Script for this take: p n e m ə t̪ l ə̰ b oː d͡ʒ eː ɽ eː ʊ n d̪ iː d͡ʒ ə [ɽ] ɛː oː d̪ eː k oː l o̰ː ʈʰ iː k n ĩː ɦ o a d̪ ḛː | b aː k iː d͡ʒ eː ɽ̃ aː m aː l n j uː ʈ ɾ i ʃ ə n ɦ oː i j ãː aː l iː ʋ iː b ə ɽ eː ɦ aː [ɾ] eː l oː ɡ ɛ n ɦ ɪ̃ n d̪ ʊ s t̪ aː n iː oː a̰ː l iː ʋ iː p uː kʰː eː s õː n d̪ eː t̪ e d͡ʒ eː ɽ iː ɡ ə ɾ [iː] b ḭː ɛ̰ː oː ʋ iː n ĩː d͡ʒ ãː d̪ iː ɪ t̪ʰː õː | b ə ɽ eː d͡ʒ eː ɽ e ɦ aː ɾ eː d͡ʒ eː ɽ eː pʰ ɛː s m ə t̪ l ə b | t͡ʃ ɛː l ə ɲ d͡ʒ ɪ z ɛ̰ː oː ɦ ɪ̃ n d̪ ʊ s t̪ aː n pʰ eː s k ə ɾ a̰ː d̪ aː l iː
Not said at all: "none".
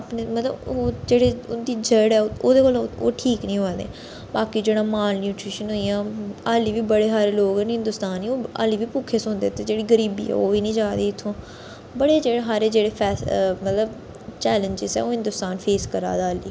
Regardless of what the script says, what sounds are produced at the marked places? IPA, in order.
ɽ, ɾ, iː

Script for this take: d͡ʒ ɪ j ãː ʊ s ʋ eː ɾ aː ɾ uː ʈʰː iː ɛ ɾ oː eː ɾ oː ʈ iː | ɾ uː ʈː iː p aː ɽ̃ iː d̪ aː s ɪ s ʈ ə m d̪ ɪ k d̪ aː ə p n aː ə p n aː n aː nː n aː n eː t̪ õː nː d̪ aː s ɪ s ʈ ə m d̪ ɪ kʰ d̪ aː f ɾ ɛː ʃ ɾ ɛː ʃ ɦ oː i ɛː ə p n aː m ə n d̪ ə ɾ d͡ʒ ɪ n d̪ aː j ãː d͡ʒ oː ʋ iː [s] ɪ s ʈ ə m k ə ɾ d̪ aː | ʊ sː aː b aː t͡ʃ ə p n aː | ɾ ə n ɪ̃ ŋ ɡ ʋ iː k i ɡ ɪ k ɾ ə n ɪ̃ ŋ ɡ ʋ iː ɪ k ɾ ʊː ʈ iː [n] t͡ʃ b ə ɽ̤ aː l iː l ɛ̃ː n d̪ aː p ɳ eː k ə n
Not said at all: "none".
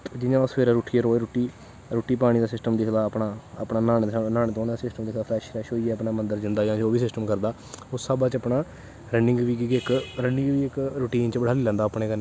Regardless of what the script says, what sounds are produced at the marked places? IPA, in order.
s, n

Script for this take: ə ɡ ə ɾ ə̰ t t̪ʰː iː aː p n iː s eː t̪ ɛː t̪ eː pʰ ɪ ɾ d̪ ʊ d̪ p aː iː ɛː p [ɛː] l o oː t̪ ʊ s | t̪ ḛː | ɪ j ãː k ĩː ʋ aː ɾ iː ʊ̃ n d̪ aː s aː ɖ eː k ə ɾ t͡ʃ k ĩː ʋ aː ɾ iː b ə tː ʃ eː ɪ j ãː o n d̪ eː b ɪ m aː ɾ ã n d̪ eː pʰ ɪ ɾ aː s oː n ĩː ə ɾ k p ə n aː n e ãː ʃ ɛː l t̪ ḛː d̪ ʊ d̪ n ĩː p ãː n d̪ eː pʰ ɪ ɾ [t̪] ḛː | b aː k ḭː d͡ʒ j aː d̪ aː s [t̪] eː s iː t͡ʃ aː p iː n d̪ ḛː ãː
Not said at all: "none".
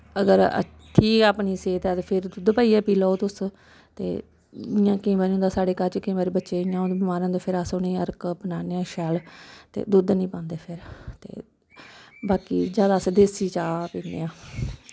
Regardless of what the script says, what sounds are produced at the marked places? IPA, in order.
iː, t̪, d̪

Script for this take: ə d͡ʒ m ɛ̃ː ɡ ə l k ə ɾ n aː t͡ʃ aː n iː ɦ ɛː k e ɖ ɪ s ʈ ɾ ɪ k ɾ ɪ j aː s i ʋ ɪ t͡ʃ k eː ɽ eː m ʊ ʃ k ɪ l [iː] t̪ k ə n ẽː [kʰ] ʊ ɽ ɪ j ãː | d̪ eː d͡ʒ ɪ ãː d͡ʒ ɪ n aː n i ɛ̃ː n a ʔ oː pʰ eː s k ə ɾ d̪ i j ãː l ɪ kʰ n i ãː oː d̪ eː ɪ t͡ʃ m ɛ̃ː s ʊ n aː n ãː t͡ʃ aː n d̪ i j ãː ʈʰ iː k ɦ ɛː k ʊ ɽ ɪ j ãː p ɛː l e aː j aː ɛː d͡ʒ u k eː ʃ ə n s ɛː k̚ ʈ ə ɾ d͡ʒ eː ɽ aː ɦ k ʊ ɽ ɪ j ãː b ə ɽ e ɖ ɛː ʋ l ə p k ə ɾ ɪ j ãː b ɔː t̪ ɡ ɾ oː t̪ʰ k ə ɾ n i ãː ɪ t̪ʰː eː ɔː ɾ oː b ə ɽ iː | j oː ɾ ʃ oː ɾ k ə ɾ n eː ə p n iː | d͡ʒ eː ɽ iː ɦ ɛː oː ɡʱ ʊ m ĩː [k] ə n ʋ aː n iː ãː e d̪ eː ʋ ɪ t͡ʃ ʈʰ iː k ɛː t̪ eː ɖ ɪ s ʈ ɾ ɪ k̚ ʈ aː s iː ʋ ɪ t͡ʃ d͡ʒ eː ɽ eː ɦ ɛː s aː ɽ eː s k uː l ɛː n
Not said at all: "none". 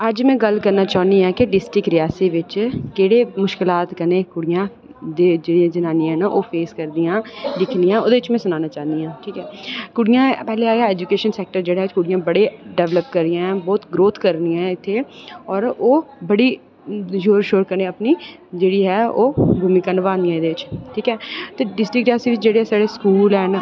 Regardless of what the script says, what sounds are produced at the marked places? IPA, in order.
aː, k, k

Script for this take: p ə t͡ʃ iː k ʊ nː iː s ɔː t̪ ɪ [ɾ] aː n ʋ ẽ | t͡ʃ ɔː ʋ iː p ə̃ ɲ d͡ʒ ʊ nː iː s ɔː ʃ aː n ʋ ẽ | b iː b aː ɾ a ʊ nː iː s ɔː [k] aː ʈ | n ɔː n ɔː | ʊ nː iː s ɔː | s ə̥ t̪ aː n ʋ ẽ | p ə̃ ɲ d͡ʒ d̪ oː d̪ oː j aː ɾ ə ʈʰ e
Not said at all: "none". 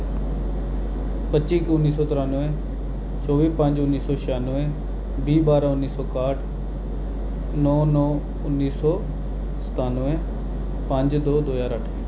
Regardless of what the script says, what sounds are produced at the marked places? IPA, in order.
ɾ, k

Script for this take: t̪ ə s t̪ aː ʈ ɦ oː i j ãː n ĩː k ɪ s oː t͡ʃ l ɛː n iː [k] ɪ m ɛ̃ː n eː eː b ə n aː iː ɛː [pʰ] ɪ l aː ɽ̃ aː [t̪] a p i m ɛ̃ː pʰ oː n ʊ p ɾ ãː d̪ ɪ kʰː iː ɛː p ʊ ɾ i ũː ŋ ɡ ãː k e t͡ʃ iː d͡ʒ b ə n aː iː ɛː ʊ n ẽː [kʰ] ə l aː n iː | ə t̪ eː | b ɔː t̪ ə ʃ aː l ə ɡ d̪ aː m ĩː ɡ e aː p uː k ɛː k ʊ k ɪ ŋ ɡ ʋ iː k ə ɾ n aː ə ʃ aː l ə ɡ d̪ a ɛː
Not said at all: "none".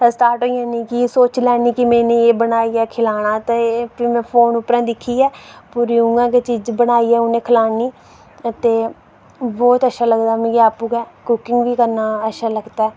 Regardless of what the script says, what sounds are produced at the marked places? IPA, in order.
k, kʰ, t̪, kʰ

